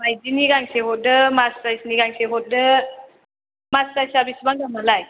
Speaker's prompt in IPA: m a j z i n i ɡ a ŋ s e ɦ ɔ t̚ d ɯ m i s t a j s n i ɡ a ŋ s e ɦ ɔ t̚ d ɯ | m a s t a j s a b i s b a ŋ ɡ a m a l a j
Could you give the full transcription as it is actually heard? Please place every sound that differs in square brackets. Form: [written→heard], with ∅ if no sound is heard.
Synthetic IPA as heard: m a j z i n i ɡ a ŋ s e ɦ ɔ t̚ d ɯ m [i→a] s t a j s n i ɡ a ŋ s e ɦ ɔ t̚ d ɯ | m a s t a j s a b i s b a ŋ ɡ a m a l a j